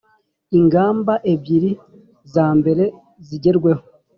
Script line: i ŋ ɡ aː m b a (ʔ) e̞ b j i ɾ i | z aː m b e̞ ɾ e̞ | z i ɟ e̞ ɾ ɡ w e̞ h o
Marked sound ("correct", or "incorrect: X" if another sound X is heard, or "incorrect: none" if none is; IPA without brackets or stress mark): correct